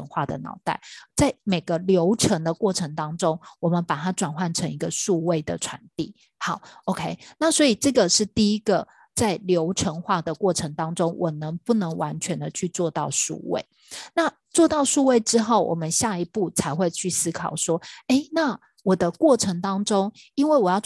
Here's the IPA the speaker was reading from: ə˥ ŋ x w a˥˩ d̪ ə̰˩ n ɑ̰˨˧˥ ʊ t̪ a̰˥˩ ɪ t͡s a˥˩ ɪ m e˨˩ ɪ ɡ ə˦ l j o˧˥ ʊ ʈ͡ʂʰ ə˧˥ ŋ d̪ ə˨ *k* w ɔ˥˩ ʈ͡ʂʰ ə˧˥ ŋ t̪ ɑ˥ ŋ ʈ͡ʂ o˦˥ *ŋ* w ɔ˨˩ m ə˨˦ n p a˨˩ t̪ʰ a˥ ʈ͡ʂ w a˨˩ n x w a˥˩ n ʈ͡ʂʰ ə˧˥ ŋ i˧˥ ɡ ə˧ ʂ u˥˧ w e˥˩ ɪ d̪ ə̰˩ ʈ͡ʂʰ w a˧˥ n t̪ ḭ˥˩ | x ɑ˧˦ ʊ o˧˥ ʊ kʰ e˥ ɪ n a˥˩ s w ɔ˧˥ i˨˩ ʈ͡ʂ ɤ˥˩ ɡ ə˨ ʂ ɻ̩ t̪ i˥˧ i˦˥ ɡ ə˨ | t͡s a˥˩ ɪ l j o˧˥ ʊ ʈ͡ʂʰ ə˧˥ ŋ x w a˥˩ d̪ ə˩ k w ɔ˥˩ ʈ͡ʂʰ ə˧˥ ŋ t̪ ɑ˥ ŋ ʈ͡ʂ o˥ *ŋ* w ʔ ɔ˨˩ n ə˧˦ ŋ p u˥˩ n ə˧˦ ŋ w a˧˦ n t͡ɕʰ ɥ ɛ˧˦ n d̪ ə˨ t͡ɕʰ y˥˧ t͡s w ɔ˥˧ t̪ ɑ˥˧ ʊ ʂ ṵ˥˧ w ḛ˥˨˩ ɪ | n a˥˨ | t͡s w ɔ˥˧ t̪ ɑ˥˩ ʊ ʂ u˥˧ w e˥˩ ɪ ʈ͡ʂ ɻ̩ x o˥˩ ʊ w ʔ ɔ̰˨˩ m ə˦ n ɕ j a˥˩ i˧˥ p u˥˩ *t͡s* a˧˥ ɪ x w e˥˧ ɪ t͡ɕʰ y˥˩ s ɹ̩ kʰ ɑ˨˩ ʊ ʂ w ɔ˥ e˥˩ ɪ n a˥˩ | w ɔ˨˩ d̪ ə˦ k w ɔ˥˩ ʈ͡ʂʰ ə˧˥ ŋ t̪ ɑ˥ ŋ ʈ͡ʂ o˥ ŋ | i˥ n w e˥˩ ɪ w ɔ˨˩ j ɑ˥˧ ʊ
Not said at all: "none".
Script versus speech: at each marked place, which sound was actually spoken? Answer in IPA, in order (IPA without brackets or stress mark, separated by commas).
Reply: k, ŋ, ŋ, t͡sʰ